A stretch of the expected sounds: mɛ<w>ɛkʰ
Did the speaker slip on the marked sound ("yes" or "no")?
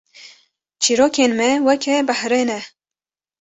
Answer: no